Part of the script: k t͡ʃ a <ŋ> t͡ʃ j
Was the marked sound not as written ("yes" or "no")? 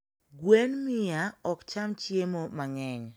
yes